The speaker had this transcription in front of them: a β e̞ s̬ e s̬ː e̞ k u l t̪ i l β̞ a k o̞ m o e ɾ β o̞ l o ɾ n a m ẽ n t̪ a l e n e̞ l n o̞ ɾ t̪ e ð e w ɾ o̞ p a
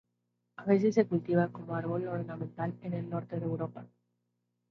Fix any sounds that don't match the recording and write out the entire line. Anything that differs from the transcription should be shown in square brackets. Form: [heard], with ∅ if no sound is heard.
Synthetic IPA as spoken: a β e̞ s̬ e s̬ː e̞ k u l t̪ i [∅] β̞ a k o̞ m o [a] ɾ β o̞ l o ɾ n a m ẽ n t̪ a l e n e̞ l n o̞ ɾ t̪ e ð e w ɾ o̞ p a